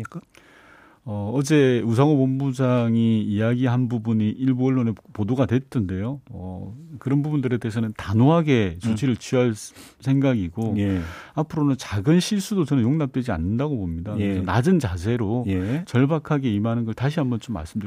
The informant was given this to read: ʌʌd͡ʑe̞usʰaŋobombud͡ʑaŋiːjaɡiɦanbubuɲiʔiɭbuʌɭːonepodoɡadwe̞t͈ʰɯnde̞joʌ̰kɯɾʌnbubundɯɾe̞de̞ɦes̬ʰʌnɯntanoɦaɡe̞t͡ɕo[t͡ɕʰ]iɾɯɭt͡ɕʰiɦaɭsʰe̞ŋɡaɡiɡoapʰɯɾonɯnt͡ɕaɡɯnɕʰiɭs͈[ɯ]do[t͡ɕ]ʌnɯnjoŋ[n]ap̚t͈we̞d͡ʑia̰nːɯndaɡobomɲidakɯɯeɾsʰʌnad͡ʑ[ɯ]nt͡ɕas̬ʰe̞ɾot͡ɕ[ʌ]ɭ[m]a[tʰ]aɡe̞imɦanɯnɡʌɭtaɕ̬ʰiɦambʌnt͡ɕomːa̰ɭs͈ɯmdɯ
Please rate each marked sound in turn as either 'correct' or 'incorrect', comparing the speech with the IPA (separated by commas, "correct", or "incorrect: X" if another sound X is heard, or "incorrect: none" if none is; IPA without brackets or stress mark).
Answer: correct, incorrect: u, correct, correct, correct, correct, incorrect: b, incorrect: kʰ